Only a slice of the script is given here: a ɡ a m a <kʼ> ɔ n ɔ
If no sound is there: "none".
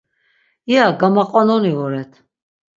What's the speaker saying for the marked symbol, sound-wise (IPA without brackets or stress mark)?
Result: qʼ